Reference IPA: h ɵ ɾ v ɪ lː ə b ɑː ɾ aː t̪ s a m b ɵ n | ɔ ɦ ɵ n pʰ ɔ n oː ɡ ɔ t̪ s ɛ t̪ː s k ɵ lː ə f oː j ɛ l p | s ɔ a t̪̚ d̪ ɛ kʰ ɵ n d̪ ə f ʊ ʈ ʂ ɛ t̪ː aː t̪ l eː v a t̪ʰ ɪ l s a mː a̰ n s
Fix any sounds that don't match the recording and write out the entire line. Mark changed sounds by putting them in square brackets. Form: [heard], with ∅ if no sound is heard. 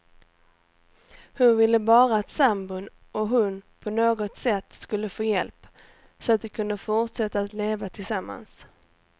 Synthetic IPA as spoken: h ɵ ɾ v ɪ lː ə b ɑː ɾ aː t̪ s a m b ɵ n | ɔ ɦ ɵ n pʰ ɔ n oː ɡ ɔ t̪ s ɛ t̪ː s k ɵ lː ə f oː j ɛ l p | s ɔ a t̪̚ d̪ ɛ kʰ ɵ n d̪ ə f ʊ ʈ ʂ ɛ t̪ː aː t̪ l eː v a t̪ʰ ɪ l s a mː a̰ n s